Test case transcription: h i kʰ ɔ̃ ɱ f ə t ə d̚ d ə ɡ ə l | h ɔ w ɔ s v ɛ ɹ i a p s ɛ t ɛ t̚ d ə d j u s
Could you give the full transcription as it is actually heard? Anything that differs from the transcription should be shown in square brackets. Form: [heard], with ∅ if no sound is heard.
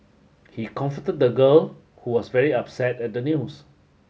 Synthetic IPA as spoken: h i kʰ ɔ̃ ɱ f ə t ə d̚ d ə ɡ ə l | h [u] w ɔ s v ɛ ɹ i a p s ɛ t ɛ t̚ d ə [n] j u s